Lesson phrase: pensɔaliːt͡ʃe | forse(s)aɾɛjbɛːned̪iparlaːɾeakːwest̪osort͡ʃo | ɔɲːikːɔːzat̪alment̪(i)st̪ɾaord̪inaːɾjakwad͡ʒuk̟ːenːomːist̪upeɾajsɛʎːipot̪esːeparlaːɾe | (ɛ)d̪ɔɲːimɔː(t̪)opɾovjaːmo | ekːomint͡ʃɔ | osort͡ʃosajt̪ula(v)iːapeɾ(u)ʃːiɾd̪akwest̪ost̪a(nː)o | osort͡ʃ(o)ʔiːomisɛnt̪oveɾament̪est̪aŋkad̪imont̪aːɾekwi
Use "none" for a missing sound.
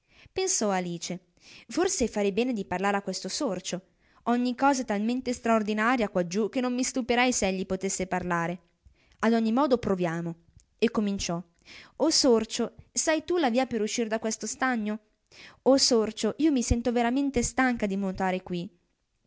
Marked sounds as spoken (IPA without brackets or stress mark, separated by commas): f, e, a, d̪, v, u, ɲː, o